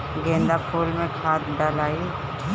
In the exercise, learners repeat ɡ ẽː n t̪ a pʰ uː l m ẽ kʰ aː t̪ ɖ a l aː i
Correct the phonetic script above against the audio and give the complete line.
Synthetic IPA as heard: ɡ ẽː n d̪ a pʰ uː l m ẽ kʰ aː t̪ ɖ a l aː i

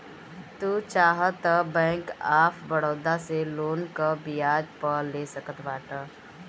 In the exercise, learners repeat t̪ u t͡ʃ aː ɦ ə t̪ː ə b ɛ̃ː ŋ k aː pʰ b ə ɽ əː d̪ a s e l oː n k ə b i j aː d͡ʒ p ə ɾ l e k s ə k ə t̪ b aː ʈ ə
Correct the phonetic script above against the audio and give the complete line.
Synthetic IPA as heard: t̪ u t͡ʃ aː ɦ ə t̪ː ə b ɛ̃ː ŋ k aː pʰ b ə ɽ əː d̪ a s e l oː n k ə b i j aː d͡ʒ p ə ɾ l e s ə k ə t̪ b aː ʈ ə

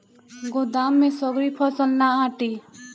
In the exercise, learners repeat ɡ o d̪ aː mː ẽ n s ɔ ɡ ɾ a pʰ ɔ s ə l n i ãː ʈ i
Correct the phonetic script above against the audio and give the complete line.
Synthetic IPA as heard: ɡ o d̪ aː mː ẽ s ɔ ɡ ɾ i pʰ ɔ s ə l n a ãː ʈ i

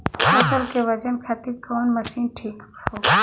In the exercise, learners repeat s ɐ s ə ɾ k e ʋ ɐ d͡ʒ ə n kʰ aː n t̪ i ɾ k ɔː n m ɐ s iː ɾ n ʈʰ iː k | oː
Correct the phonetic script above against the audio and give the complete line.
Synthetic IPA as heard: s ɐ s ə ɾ k e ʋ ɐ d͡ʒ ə n kʰ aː t̪ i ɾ k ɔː n m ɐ s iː n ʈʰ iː k | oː

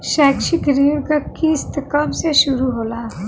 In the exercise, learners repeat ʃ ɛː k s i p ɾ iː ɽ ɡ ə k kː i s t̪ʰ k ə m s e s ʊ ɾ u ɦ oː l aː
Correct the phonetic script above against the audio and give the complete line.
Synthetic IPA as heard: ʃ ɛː k ʃ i k ɾ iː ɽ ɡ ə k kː i s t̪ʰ k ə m s e ʃ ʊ ɾ u ɦ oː l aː

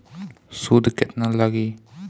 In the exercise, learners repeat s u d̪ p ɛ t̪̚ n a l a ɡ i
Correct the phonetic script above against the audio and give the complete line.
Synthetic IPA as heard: s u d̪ k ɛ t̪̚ n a l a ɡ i

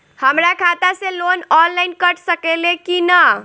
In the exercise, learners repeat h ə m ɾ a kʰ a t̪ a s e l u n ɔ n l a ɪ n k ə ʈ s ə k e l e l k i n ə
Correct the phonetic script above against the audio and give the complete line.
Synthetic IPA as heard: h ə m ɾ a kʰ a t̪ a s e l o n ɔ n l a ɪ n k ə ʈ s ə k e l e k i n ə

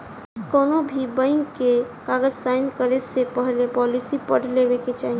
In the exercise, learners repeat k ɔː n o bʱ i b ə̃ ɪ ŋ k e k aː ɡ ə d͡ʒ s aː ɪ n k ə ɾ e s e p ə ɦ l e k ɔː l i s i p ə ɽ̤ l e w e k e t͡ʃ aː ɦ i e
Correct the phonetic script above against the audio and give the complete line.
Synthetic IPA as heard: k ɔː n o bʱ i b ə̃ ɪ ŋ k e k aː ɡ ə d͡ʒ s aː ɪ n k ə ɾ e s e p ə ɦ l e p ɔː l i s i p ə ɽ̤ l e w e k e t͡ʃ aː ɦ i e

